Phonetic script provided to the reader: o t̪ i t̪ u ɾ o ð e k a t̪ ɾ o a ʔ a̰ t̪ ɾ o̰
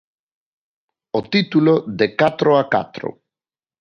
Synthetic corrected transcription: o t̪ i t̪ u l o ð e k a t̪ ɾ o a k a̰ t̪ ɾ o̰